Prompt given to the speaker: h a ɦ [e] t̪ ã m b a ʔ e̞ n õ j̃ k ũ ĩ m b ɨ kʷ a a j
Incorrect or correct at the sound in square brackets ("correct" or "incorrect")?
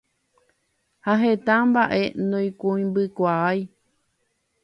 correct